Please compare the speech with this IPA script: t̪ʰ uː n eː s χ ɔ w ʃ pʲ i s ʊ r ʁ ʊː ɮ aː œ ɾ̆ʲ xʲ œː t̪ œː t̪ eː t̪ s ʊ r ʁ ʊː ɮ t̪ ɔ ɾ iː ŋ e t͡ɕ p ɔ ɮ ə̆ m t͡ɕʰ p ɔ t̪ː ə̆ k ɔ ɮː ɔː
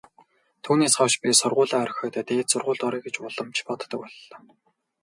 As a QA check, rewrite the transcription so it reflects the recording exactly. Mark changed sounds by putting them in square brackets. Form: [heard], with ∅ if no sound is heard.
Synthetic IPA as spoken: t̪ʰ uː n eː s χ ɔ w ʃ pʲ i s ʊ r ʁ ʊː ɮ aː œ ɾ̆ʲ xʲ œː t̪ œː t̪ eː t̪ s ʊ r ʁ ʊː ɮ t̪ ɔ ɾ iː [ɡ] e t͡ɕ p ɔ ɮ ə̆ m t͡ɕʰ p ɔ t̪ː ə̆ k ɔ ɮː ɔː